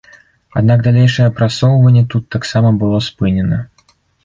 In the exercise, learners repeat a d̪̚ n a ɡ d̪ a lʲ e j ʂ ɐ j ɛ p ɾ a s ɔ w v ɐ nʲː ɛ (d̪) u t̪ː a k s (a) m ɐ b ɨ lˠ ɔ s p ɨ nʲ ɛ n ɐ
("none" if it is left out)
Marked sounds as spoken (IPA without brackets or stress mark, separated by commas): t̪, a